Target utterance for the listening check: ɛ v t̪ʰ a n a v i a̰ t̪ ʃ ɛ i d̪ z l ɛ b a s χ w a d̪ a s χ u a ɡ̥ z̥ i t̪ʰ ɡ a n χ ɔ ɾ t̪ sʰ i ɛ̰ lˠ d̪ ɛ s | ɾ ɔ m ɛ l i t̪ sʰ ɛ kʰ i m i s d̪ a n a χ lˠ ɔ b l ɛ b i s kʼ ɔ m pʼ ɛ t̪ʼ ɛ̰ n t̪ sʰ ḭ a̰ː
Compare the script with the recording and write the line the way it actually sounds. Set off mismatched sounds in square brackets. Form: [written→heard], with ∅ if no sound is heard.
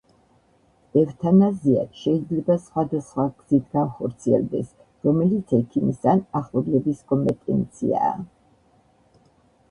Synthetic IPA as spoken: ɛ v t̪ʰ a n a [v→z] i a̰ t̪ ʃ ɛ i d̪ z l ɛ b a s χ w a d̪ a s χ [u→w] a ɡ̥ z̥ i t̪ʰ ɡ a n χ ɔ ɾ t̪ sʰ i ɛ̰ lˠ d̪ ɛ s | ɾ ɔ m ɛ l i t̪ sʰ ɛ kʰ i m i s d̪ a n a χ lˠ ɔ b l ɛ b i s kʼ ɔ m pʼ ɛ t̪ʼ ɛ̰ n t̪ sʰ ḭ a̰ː